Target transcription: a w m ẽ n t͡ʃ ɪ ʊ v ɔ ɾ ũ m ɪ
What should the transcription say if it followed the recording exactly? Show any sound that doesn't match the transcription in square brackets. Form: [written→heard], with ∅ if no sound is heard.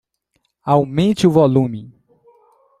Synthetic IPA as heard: a w m ẽ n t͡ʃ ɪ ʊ v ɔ [ɾ→l] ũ m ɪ